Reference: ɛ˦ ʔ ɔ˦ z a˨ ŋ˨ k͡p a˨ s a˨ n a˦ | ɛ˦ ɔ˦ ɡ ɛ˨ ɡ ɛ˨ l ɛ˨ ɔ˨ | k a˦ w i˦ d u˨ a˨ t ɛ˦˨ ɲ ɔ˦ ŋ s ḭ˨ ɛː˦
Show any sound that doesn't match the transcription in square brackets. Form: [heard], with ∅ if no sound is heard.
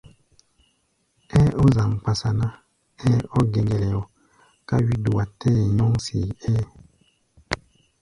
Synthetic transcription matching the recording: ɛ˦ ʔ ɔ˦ z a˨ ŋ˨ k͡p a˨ s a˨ n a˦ | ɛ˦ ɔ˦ ɡ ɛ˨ ɡ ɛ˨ l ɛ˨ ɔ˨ | k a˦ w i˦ d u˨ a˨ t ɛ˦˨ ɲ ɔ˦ ŋ s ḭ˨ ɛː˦

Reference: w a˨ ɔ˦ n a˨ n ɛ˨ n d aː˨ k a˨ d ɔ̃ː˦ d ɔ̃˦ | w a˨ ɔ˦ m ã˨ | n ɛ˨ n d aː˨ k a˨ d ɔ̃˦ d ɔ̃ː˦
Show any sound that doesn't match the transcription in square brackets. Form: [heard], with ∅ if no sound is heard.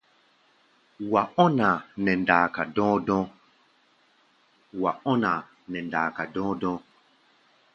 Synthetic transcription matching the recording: w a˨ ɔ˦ n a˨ n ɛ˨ n d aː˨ k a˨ d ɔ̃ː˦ d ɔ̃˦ | w a˨ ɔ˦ [n] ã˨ | n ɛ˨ n d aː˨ k a˨ d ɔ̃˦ d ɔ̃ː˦

